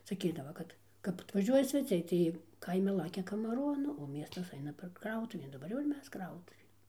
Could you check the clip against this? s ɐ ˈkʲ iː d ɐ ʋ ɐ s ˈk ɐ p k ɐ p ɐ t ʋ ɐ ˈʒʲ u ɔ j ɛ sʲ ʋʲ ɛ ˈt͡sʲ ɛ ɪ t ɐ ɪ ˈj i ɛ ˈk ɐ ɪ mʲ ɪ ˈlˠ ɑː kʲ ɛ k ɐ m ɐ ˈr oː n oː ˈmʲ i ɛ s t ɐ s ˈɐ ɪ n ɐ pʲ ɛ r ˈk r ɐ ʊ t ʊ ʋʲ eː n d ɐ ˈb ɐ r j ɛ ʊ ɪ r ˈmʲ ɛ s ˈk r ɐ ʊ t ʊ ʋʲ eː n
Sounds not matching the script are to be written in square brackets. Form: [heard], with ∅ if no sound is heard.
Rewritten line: s ɐ ˈkʲ iː d ɐ ʋ ɐ [∅] ˈk ɐ [t] k ɐ p ɐ t ʋ ɐ ˈʒʲ u ɔ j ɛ sʲ ʋʲ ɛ ˈt͡sʲ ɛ ɪ t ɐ ɪ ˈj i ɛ ˈk ɐ ɪ mʲ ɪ ˈlˠ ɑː kʲ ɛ k ɐ m ɐ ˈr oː n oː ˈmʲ i ɛ s t ɐ s ˈɐ ɪ n ɐ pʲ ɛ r ˈk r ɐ ʊ t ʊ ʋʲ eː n d ɐ ˈb ɐ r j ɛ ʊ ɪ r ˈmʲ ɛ s ˈk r ɐ ʊ t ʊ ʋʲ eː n